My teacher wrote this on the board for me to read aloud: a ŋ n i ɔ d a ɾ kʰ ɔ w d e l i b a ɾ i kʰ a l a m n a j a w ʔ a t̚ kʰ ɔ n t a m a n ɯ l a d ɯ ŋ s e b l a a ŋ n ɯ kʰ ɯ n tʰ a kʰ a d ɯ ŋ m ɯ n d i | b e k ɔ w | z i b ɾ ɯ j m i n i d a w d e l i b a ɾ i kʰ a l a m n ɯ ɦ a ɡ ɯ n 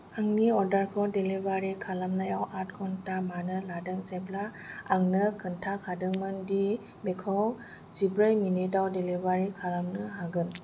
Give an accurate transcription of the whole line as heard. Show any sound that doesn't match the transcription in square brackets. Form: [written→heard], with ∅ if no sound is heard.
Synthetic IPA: a ŋ n i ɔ d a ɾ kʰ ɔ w d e l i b a ɾ i kʰ a l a m n a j a w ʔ a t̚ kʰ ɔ n t a m a n ɯ l a d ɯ ŋ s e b l a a ŋ n ɯ kʰ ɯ n tʰ a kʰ a d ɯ ŋ m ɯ n d i | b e [k→kʰ] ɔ w | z i b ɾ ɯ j m i n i d a w d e l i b a ɾ i kʰ a l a m n ɯ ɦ a ɡ ɯ n